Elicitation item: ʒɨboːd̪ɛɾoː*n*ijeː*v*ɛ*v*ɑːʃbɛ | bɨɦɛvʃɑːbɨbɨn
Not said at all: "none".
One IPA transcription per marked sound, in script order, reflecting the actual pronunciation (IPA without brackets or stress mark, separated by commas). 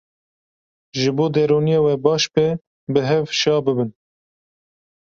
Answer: n, w, b